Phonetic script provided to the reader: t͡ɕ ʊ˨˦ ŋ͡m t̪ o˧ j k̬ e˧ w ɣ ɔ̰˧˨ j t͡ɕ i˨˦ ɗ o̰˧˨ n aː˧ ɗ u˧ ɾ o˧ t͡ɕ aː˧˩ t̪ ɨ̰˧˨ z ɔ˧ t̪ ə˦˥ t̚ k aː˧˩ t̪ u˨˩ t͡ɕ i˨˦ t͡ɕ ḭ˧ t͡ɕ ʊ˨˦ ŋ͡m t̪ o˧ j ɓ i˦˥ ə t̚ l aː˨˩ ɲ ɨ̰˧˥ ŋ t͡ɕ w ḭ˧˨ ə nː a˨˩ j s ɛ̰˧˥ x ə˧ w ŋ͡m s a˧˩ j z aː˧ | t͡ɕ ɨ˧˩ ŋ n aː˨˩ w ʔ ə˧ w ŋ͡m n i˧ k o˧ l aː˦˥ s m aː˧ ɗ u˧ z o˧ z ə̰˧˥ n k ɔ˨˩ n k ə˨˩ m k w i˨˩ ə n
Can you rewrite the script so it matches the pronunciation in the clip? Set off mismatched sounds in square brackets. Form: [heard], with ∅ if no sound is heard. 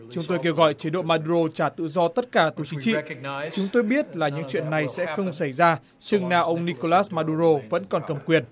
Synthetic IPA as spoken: t͡ɕ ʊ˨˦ ŋ͡m t̪ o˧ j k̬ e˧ w ɣ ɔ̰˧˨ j t͡ɕ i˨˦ ɗ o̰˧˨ [m] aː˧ ɗ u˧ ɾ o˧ t͡ɕ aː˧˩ t̪ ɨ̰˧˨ z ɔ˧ t̪ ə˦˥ t̚ k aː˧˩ t̪ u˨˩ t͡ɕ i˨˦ t͡ɕ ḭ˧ t͡ɕ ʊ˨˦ ŋ͡m t̪ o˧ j ɓ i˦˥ ə t̚ l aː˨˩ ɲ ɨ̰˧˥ ŋ t͡ɕ w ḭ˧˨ ə nː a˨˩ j s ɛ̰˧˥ x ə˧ w ŋ͡m s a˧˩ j z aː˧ | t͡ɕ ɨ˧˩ ŋ n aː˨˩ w ʔ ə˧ w ŋ͡m n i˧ k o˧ l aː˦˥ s m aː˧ ɗ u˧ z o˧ [v] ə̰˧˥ n k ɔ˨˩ n k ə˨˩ m k w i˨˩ ə n